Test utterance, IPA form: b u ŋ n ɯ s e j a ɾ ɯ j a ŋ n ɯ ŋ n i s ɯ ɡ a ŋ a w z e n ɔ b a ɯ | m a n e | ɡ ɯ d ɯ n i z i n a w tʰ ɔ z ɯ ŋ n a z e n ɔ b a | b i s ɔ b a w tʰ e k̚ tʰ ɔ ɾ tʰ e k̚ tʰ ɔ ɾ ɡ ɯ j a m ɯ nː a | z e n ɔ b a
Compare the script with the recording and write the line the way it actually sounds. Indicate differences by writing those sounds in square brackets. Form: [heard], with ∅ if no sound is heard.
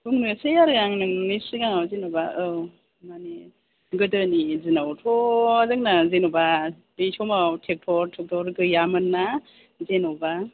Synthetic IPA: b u ŋ n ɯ s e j a ɾ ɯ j a ŋ n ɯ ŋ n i s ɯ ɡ a ŋ a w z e n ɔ b a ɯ | m a n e | ɡ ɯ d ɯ n i z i n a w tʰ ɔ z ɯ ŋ n a z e n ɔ b a | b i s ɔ [m] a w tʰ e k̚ tʰ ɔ ɾ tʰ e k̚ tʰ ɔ ɾ ɡ ɯ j a m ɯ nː a | z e n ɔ b a